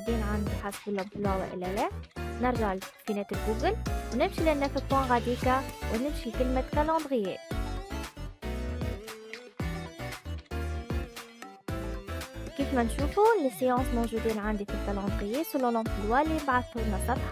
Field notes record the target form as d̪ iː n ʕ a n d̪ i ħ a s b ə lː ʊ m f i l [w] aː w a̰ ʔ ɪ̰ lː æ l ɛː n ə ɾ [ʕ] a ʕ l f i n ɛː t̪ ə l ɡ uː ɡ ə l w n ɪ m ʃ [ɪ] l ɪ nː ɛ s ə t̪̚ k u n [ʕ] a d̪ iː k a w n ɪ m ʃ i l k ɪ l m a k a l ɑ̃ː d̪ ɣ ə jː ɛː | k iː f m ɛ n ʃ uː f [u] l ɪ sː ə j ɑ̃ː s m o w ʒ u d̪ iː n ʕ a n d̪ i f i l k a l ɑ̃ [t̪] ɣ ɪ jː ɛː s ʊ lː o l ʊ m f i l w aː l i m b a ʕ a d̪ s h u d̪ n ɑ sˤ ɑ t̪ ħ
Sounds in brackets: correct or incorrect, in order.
correct, incorrect: ʒ, incorrect: i, incorrect: ɣ, correct, incorrect: d̪

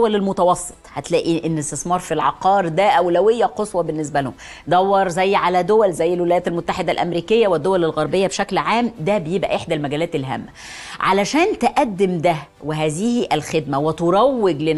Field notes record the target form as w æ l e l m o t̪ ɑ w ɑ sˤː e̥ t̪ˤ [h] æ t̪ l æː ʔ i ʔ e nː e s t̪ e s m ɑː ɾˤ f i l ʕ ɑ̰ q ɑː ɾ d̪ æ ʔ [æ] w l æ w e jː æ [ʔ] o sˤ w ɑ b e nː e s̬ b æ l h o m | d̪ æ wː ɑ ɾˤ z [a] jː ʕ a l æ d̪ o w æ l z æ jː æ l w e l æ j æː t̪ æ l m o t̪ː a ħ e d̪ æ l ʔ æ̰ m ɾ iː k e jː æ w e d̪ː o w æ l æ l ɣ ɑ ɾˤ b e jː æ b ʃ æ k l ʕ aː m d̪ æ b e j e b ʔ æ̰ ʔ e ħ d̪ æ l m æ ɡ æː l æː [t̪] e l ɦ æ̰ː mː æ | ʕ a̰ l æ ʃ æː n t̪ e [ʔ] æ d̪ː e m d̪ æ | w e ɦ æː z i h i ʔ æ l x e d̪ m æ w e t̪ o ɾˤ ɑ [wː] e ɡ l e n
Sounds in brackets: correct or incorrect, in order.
correct, correct, incorrect: q, incorrect: æ, correct, correct, correct

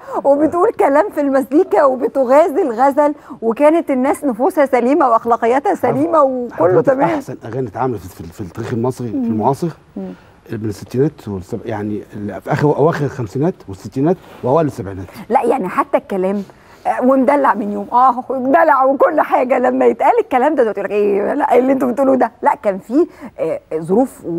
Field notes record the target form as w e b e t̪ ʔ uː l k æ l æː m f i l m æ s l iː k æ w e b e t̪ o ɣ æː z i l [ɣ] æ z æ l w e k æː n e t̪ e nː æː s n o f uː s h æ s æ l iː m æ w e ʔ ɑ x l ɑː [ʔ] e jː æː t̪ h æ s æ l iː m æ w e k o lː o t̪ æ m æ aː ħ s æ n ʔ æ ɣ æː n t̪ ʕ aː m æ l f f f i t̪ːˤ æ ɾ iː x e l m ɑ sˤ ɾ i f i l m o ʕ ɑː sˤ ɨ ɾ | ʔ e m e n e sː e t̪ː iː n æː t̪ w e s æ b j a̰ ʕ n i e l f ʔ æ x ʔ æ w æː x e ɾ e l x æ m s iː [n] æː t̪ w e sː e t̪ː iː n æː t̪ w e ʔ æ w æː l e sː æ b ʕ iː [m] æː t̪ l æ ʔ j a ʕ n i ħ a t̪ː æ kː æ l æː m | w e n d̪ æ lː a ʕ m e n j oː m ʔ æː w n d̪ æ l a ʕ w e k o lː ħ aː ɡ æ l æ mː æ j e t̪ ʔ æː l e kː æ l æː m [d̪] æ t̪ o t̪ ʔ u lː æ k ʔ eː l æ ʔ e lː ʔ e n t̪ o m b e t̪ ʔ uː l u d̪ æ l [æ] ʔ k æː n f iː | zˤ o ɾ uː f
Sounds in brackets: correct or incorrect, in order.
correct, incorrect: q, correct, incorrect: n, correct, correct

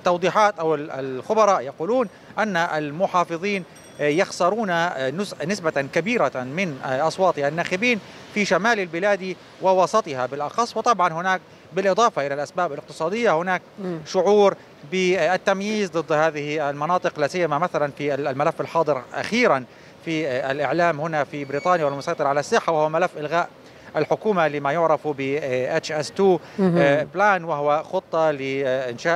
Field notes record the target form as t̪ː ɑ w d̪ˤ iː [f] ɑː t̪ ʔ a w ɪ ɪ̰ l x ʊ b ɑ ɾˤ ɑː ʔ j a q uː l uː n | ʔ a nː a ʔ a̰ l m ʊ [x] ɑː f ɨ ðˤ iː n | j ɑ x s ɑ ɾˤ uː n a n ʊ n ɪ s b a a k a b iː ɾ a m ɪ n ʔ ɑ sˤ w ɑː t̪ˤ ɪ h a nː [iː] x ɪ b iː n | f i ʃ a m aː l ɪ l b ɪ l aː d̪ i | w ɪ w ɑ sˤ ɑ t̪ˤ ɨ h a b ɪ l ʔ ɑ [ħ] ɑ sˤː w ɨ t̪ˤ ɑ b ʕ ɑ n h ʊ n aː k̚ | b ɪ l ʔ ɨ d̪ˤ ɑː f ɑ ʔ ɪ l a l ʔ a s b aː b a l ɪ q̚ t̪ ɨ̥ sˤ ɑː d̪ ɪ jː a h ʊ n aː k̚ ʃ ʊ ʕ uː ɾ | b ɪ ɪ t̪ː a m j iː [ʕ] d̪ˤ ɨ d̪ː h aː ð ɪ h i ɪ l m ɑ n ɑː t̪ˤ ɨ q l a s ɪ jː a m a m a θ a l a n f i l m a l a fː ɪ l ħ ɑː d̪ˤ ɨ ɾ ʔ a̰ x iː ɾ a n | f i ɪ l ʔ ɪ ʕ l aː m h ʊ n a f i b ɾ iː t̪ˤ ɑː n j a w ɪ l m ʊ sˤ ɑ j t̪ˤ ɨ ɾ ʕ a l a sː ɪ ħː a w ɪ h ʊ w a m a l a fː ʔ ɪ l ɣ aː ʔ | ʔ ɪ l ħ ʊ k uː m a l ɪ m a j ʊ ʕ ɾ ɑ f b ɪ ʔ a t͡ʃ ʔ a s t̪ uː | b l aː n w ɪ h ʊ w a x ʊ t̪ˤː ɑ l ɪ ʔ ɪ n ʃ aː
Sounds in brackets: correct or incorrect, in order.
incorrect: ħ, incorrect: ħ, incorrect: aː, incorrect: x, incorrect: z

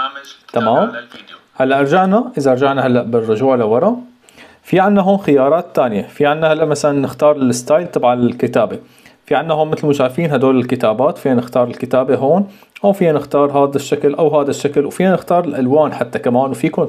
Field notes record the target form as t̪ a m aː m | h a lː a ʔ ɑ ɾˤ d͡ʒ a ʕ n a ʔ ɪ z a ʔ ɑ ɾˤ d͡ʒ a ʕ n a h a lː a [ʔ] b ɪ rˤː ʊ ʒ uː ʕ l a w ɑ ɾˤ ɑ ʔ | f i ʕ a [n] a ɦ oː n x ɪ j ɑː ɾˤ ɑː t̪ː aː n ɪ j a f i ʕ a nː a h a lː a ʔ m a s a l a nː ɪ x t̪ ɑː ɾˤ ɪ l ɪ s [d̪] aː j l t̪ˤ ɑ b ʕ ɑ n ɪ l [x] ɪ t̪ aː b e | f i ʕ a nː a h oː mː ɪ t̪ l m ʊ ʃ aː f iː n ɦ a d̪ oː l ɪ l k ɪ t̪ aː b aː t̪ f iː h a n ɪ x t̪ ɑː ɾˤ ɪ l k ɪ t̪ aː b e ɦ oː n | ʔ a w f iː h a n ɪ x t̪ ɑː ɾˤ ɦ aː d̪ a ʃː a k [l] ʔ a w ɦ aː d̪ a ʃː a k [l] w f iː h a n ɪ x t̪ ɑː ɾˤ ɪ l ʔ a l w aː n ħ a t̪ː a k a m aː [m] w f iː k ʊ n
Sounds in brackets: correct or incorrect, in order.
correct, incorrect: nː, incorrect: t̪, incorrect: k, correct, correct, incorrect: n

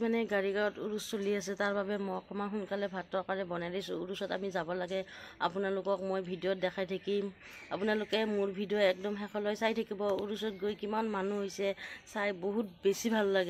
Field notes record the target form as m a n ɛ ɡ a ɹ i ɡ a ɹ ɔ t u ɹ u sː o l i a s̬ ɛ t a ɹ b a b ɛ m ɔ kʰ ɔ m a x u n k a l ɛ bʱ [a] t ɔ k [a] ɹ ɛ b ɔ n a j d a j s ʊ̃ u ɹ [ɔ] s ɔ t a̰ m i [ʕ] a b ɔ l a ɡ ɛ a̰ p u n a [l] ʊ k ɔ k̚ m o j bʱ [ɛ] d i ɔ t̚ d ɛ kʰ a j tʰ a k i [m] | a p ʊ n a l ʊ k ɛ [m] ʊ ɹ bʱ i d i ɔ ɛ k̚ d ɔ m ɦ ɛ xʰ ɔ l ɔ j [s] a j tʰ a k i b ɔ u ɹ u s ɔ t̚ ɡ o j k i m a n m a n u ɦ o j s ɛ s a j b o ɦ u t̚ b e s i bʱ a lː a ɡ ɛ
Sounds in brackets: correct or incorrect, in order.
correct, correct, incorrect: u, incorrect: z, correct, incorrect: i, correct, correct, correct

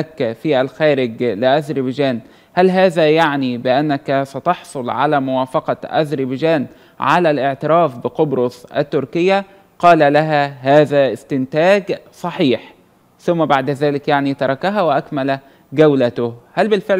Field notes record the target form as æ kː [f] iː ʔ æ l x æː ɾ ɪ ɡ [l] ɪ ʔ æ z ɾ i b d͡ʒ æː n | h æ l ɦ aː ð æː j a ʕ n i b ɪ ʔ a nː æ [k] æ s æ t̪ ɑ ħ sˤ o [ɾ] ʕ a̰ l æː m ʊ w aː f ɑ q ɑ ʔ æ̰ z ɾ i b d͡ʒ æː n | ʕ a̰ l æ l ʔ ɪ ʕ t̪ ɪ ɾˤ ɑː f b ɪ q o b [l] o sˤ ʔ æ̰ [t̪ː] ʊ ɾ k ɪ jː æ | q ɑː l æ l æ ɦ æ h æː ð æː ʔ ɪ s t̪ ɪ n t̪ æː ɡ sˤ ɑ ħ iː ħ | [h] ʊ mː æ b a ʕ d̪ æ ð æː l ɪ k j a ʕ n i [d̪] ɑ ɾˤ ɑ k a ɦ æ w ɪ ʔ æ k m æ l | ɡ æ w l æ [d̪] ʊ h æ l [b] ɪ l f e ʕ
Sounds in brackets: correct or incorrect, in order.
correct, correct, correct, incorrect: l, incorrect: ɾ, correct, incorrect: θ, incorrect: t̪, incorrect: t̪, correct

